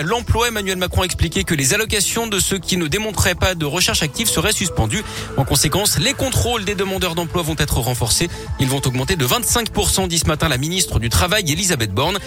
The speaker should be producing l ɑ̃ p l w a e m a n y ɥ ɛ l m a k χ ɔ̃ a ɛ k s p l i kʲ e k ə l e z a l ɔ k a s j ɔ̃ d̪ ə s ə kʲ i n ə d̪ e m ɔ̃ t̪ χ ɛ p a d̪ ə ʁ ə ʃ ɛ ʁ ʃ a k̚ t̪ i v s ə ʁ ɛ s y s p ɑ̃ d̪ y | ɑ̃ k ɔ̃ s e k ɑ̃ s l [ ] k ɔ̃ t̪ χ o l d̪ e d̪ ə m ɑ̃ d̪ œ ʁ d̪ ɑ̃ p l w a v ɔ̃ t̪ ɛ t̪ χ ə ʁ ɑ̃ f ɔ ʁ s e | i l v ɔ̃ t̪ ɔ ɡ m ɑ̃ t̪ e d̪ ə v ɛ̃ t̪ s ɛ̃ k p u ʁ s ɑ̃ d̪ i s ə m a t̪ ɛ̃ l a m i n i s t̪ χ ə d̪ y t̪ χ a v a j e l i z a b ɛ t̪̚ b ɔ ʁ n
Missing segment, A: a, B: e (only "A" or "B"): B